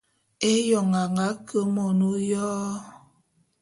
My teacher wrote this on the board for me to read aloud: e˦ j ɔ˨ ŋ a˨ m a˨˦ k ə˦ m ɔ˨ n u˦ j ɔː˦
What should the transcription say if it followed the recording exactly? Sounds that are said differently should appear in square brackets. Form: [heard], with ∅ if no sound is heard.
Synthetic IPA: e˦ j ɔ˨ ŋ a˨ [ŋ] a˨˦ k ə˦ m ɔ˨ n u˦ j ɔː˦